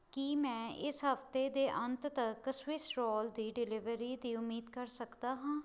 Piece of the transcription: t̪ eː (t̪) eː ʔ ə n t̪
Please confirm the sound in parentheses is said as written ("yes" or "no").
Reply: no